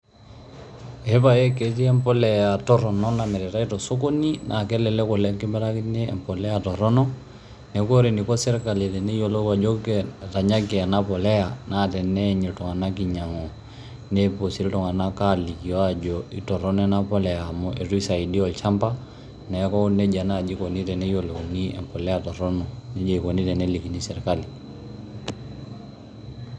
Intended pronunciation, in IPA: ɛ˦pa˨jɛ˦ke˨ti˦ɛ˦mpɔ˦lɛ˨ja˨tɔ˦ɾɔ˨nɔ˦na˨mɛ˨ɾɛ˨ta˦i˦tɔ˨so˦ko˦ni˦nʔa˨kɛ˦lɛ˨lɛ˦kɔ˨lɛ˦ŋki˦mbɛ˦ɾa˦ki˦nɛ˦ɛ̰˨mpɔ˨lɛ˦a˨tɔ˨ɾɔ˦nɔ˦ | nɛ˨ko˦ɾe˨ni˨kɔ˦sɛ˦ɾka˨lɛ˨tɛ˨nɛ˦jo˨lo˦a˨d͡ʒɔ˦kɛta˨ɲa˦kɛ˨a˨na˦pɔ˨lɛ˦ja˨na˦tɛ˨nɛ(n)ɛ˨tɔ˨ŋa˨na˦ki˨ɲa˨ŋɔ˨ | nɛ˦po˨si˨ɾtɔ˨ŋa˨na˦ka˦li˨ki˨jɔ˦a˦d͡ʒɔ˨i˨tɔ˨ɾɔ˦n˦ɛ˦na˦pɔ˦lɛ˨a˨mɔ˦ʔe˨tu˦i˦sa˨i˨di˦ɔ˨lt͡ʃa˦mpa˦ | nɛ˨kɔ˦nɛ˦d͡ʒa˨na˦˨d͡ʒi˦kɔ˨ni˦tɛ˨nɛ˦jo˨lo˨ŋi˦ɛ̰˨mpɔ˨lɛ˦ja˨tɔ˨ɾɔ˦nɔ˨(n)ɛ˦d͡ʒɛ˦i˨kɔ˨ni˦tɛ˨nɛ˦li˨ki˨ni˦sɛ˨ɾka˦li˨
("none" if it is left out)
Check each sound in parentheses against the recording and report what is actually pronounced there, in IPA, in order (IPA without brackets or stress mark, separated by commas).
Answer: ɲ, n